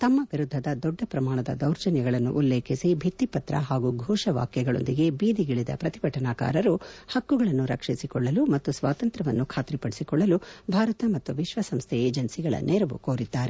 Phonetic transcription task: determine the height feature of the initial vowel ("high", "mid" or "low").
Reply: low